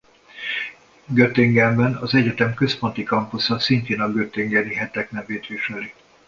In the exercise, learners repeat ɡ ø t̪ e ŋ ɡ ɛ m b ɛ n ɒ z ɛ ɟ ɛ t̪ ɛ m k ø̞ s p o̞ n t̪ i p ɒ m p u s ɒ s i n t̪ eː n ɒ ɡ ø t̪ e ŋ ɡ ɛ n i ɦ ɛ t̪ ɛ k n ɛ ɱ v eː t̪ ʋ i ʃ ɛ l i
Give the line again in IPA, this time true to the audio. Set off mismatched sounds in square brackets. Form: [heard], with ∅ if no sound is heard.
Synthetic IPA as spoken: ɡ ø t̪ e ŋ ɡ ɛ m b ɛ n ɒ z ɛ ɟ ɛ t̪ ɛ m k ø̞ s p o̞ n t̪ i [k] ɒ m p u s ɒ s i n t̪ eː n ɒ ɡ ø t̪ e ŋ ɡ ɛ n i ɦ ɛ t̪ ɛ k n ɛ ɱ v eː t̪ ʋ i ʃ ɛ l i